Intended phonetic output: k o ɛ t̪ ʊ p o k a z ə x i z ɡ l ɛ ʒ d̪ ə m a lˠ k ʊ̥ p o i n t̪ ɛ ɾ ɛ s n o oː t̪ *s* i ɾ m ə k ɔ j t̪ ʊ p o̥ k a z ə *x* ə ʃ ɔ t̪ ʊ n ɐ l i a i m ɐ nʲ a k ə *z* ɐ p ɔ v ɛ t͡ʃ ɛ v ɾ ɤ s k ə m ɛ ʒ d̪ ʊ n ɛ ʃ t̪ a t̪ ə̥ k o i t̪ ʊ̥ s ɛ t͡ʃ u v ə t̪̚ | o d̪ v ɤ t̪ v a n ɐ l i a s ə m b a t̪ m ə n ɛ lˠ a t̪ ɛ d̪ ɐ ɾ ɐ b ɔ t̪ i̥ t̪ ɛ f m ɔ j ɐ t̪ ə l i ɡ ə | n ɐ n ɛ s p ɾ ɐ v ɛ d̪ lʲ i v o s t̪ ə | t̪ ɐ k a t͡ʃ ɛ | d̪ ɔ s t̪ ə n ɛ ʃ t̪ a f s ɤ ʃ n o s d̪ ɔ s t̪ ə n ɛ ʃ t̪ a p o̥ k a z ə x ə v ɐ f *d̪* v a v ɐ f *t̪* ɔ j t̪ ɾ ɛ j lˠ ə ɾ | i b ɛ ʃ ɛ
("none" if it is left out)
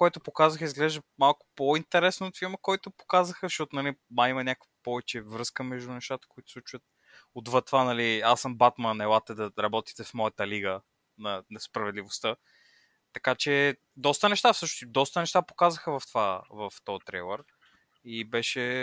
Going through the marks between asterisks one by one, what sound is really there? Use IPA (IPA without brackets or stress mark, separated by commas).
f, x, v, t̪, t̪